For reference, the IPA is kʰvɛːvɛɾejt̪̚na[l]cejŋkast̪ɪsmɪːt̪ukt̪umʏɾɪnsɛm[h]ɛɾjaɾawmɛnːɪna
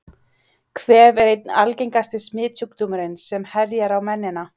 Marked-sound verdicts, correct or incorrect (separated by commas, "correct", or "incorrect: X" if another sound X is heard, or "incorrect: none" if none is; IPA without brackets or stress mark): correct, correct